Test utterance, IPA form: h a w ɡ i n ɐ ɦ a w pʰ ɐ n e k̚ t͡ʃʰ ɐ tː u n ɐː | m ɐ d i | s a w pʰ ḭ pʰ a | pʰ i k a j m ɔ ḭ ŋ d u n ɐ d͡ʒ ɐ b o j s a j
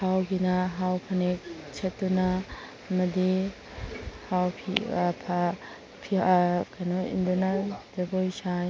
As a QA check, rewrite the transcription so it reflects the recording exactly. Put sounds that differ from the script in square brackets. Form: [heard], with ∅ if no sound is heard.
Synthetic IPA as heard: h a w ɡ i n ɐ ɦ a w pʰ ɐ n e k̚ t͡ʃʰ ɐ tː u n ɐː | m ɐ d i | [h] a w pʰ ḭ pʰ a | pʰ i k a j [n] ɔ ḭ [n] d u n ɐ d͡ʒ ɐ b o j s a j